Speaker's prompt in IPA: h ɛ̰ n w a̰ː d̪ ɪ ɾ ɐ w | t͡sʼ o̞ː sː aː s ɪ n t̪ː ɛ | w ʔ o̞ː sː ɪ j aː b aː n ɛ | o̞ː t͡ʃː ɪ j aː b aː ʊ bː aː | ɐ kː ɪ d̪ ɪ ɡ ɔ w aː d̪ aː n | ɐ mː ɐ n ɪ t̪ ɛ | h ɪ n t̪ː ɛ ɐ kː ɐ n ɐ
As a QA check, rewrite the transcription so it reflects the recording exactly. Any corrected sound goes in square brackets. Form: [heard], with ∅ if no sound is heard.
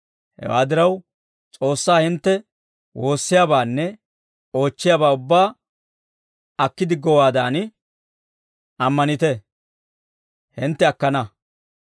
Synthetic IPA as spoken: h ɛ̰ [∅] w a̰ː d̪ ɪ ɾ ɐ w | t͡sʼ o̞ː sː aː [h] ɪ n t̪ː ɛ | w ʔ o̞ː sː ɪ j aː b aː [nː] ɛ | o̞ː t͡ʃː ɪ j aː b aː ʊ bː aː | ɐ kː ɪ d̪ ɪ ɡ ɔ w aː d̪ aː n | ɐ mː ɐ n ɪ t̪ ɛ | h ɪ n t̪ː ɛ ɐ kː ɐ n ɐ